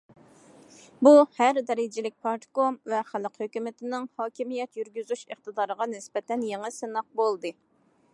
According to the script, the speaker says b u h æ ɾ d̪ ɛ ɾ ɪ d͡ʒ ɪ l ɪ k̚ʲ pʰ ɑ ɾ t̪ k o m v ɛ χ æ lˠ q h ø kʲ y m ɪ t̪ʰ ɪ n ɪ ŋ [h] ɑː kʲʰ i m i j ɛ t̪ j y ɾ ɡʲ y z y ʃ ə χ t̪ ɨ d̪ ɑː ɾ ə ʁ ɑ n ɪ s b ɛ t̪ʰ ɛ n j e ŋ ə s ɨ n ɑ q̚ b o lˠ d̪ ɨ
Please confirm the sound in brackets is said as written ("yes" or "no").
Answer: yes